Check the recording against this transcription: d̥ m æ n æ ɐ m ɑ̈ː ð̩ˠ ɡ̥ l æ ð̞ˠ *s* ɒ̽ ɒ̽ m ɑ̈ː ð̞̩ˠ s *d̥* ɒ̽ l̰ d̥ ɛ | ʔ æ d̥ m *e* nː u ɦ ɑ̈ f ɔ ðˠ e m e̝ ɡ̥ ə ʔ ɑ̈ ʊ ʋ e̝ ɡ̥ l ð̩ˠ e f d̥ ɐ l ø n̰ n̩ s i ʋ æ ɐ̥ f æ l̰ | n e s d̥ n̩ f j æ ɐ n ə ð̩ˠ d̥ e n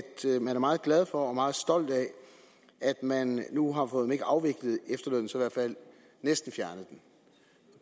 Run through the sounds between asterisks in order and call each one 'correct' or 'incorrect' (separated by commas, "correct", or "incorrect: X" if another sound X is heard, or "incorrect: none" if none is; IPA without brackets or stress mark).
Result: incorrect: f, correct, incorrect: æ